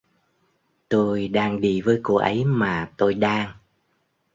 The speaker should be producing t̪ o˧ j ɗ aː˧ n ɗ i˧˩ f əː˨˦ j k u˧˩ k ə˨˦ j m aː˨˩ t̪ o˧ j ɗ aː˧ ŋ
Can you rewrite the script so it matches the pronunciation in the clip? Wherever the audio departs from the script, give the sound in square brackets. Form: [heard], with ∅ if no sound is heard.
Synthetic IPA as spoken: t̪ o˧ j ɗ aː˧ [ŋ] ɗ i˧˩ [v] əː˨˦ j k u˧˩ [ʔ] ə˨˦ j m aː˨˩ t̪ o˧ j ɗ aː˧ ŋ